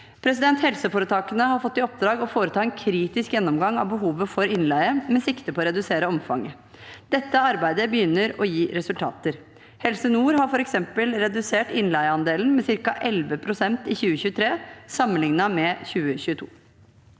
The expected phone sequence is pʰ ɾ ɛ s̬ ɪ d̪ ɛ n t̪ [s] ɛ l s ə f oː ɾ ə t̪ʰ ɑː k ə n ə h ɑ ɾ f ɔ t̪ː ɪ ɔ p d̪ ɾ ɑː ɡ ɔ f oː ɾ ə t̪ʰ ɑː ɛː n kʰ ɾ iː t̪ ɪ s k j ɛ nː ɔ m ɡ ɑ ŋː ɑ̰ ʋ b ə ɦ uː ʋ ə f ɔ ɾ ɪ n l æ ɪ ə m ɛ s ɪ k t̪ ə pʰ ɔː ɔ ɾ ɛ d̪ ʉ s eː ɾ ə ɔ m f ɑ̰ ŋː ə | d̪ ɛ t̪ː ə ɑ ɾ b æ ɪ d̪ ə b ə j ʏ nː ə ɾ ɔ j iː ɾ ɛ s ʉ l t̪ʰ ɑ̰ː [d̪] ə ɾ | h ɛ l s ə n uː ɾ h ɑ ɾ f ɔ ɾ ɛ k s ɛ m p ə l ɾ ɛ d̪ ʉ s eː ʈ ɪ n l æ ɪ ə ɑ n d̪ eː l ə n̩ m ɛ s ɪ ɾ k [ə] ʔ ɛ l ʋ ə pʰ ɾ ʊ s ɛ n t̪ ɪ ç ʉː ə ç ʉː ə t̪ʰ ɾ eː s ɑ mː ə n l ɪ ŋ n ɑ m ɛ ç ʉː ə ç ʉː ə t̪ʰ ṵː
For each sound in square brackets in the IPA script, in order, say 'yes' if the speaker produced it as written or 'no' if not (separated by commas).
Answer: no, no, no